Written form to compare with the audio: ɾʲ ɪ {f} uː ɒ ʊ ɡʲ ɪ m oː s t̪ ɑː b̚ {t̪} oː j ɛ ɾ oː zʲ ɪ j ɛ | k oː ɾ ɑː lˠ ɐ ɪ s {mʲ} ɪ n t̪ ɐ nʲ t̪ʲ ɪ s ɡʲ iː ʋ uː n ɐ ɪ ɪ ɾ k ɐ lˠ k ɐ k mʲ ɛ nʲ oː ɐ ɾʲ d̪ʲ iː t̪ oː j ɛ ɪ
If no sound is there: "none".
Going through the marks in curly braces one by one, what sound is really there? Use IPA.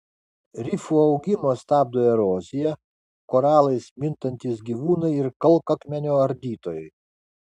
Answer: f, d̪, mʲ

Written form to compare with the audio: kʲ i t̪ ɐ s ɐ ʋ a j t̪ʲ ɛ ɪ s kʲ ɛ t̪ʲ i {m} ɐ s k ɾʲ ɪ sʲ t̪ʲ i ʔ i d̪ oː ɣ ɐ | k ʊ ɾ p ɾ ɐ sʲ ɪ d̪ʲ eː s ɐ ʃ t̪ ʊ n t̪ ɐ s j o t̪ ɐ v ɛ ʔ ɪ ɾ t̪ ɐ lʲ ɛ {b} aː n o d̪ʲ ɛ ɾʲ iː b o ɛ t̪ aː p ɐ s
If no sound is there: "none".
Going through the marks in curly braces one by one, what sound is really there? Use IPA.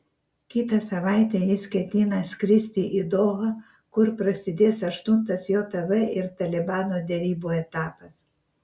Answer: n, b

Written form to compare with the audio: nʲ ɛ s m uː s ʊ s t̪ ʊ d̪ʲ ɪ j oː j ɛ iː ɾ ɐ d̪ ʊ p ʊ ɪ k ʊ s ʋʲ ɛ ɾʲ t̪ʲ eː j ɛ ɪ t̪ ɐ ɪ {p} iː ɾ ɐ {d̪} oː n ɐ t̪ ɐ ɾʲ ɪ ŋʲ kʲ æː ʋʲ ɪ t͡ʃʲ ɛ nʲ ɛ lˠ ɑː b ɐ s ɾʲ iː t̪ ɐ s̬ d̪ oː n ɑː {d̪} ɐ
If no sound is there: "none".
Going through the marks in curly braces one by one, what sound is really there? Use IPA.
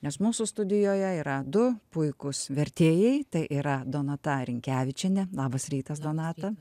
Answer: ʔ, d̪, t̪

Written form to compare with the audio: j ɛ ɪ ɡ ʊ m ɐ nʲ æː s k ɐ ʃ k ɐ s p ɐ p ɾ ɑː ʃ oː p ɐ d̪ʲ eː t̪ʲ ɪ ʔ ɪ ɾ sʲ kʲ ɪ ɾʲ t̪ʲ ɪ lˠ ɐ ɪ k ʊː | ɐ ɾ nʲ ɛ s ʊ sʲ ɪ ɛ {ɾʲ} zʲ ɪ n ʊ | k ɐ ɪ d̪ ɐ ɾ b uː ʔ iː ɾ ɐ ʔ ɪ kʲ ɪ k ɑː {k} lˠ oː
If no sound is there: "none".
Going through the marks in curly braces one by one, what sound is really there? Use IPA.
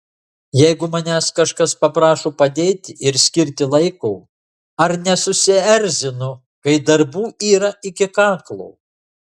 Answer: ɾʲ, k

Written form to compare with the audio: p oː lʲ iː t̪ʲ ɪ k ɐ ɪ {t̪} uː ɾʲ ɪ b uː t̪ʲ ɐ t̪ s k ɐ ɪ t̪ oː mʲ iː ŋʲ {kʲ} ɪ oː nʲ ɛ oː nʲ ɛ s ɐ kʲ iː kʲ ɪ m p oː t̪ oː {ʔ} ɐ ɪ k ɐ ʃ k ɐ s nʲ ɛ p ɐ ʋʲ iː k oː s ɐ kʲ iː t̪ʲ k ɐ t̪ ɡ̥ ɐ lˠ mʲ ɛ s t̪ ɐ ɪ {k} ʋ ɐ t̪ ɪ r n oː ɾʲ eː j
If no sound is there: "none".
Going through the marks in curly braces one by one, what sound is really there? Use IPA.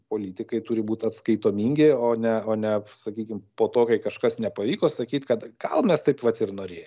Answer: t̪, ɡʲ, k, p

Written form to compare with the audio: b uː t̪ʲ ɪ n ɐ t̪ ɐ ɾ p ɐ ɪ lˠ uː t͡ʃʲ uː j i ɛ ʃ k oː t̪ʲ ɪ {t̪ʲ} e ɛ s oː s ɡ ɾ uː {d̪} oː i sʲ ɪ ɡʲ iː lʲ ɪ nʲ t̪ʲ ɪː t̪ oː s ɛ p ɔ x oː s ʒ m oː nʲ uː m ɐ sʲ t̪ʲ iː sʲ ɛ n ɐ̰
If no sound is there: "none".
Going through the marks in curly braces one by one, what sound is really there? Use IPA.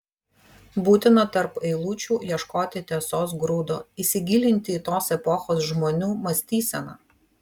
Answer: t̪ʲ, d̪

